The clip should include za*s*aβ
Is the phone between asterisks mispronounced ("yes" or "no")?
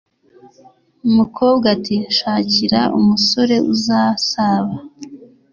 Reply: no